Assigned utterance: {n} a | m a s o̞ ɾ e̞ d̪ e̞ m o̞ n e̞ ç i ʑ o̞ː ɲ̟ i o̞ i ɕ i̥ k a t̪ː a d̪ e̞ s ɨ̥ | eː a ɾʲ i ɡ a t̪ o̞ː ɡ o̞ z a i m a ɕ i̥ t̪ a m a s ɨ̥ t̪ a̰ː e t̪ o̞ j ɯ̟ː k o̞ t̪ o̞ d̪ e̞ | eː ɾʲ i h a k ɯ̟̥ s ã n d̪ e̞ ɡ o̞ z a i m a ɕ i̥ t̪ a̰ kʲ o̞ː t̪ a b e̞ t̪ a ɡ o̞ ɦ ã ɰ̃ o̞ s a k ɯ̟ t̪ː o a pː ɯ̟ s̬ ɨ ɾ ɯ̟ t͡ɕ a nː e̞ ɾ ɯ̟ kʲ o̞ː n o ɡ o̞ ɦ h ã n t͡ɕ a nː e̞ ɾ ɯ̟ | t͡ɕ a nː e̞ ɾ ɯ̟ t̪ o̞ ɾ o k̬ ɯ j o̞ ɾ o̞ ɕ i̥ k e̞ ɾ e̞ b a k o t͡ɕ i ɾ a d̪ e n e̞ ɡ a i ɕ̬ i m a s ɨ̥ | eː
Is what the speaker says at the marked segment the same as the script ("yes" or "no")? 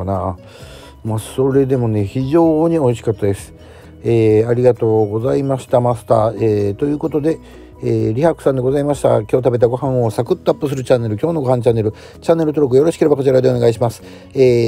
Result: yes